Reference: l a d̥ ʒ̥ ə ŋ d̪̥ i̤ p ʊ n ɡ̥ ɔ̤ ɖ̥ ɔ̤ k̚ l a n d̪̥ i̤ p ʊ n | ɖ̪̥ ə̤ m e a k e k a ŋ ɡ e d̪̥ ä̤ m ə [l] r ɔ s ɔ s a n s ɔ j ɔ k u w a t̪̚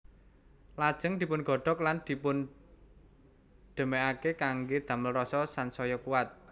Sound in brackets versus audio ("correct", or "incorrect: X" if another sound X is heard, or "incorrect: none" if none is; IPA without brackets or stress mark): correct